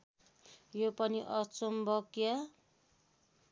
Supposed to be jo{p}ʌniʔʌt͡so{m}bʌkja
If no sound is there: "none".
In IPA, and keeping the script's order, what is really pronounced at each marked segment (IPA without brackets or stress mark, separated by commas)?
p, m